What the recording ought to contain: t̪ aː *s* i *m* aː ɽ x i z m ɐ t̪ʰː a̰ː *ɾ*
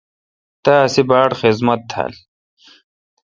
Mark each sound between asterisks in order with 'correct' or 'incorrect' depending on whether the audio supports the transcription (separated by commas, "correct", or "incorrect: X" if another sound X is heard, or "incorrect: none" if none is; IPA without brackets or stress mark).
correct, incorrect: b, incorrect: l